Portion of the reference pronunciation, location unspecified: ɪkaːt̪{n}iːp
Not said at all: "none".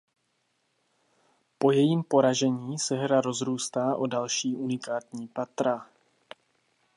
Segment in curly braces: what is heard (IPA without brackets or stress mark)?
ɲ